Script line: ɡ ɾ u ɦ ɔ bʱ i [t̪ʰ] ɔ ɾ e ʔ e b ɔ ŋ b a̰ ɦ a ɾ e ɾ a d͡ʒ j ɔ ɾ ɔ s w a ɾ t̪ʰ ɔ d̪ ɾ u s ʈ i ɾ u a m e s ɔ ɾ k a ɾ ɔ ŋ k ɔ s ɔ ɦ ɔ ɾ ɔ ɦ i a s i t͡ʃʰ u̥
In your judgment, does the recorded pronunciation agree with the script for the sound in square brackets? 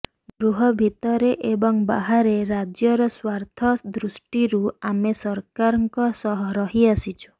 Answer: no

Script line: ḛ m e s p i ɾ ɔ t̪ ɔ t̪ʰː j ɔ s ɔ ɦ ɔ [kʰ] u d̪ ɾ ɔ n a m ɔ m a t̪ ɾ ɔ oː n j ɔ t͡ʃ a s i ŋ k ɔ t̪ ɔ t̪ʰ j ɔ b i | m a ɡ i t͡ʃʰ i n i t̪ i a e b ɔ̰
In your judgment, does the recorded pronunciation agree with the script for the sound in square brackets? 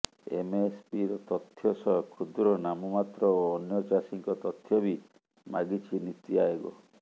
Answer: yes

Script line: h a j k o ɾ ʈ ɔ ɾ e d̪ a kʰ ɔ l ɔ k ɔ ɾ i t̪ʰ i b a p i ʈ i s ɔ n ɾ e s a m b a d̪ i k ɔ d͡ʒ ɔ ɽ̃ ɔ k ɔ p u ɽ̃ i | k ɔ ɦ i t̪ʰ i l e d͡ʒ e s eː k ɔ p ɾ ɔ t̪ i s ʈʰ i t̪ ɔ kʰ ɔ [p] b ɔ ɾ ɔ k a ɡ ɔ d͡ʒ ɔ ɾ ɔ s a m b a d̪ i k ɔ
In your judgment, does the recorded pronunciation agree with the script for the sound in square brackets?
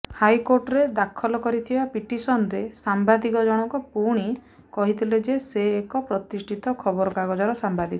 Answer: no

